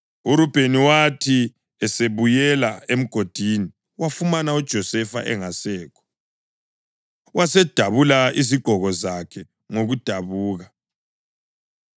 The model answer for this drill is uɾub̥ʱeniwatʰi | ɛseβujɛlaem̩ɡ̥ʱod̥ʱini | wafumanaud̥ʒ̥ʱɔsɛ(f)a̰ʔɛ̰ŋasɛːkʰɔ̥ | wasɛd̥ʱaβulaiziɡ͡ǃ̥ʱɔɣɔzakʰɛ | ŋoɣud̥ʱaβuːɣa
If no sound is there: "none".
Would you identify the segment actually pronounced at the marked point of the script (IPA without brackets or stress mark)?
f